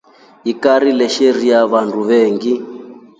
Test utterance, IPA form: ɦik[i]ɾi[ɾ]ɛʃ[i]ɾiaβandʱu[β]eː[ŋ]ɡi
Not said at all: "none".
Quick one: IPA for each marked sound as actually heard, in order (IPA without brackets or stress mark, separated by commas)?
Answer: a, l, e, β, ŋ